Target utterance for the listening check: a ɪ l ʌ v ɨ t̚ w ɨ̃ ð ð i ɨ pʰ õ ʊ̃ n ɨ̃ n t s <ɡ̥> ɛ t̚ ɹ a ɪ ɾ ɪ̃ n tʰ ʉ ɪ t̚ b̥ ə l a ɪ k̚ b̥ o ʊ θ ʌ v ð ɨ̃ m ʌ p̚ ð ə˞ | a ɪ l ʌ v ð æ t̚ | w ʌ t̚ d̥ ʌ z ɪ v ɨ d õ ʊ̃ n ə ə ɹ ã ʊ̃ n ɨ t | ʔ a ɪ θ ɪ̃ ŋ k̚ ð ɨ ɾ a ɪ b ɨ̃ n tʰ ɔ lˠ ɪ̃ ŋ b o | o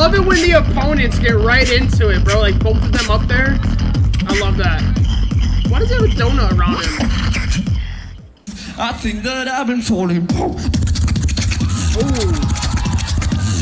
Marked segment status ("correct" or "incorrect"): correct